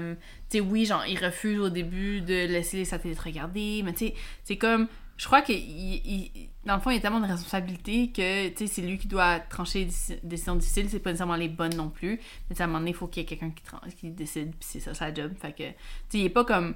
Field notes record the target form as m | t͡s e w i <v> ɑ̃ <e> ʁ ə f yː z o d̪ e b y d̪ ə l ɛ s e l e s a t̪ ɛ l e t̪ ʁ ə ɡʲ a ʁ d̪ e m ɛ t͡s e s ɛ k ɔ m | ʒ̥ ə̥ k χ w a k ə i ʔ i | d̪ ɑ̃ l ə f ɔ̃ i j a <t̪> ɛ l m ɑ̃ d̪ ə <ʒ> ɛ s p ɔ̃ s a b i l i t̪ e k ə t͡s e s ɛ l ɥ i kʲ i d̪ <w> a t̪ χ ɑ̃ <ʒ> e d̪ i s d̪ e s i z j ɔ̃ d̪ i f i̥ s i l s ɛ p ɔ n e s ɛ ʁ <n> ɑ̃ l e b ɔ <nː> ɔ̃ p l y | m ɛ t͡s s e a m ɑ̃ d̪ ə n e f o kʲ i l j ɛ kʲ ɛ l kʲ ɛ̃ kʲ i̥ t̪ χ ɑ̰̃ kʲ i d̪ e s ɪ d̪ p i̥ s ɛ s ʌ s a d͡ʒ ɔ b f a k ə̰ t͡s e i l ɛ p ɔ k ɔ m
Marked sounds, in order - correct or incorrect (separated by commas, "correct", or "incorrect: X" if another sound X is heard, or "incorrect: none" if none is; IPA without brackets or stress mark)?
incorrect: ʒ, incorrect: i, correct, incorrect: ʁ, correct, incorrect: ʃ, incorrect: m, correct